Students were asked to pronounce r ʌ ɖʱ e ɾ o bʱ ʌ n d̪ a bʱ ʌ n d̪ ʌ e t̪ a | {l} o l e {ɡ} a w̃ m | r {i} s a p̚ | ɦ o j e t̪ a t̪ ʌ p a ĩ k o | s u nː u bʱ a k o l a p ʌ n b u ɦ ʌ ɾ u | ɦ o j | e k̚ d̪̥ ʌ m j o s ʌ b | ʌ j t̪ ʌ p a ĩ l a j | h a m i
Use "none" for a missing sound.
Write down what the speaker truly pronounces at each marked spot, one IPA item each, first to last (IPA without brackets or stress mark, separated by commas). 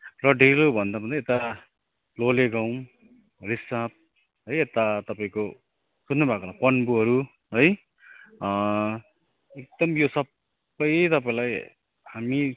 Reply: l, ɡ, i